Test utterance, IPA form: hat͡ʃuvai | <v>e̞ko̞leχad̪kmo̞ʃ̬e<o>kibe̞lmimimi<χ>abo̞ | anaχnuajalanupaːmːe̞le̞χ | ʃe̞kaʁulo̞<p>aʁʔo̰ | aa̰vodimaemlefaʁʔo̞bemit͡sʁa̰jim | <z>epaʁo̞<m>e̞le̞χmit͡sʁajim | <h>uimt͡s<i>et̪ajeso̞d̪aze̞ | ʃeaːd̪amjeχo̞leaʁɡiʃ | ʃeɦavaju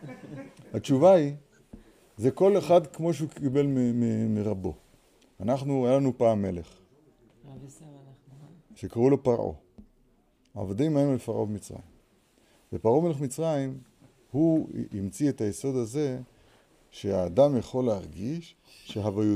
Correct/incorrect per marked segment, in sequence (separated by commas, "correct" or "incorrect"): incorrect, incorrect, incorrect, correct, incorrect, correct, correct, correct